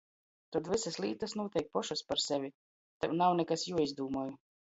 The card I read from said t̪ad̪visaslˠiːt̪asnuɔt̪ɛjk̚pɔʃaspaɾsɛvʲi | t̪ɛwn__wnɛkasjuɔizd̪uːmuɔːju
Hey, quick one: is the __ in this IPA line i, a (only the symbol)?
a